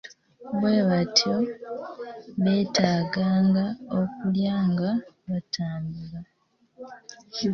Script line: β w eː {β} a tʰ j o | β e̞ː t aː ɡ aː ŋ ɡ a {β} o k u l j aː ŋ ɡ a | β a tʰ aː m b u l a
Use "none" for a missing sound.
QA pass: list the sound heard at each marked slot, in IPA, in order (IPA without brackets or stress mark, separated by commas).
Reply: β, none